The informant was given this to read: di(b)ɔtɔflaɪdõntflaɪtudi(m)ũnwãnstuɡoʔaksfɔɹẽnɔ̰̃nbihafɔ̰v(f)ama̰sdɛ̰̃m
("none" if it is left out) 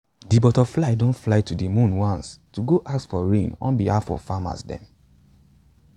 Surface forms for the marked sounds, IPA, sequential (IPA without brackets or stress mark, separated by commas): b, m, f